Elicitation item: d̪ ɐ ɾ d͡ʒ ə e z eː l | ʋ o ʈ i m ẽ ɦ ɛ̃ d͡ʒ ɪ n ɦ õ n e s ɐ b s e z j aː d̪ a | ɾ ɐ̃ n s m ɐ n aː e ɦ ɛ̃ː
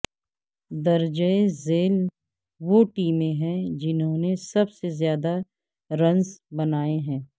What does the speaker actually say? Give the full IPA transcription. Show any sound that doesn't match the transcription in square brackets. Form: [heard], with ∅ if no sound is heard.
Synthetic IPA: d̪ ɐ ɾ d͡ʒ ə e z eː l | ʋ o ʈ [iː] m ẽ ɦ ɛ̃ d͡ʒ ɪ n ɦ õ n e s ɐ b s e z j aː d̪ a | ɾ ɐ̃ n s [b] ɐ n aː e ɦ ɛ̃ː